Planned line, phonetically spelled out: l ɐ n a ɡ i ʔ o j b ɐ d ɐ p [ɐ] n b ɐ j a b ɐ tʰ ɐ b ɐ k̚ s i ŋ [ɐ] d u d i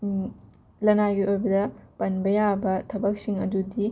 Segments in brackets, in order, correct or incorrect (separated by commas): correct, correct